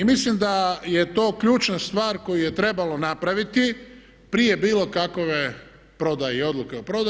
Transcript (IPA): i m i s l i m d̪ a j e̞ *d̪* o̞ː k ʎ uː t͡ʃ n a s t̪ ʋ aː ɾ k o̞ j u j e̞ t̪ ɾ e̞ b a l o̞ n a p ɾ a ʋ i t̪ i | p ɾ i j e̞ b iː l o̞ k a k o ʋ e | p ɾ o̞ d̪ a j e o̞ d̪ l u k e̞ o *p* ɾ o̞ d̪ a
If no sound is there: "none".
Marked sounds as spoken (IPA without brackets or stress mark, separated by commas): t̪, p